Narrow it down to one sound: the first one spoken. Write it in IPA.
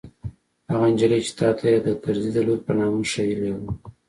h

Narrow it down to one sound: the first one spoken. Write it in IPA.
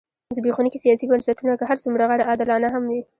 z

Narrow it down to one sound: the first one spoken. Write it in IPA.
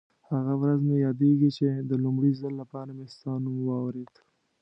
h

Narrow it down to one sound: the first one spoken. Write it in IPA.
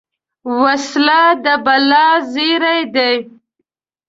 w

